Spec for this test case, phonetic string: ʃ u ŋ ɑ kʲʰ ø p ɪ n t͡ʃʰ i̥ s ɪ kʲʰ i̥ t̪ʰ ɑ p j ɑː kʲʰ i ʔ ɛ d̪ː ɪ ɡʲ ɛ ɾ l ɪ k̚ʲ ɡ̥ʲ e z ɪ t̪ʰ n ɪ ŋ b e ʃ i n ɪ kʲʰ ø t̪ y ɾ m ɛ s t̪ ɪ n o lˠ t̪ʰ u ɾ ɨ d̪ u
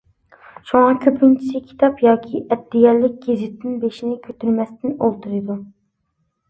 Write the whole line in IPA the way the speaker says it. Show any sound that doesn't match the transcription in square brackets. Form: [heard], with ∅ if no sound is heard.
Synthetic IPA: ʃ u ŋ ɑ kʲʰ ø p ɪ n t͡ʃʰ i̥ s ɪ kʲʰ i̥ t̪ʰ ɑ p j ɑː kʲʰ i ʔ ɛ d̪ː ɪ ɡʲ ɛ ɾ l ɪ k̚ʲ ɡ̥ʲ e z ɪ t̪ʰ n ɪ [n] b e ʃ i n ɪ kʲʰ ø t̪ y ɾ m ɛ s t̪ ɪ n o lˠ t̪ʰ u ɾ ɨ d̪ u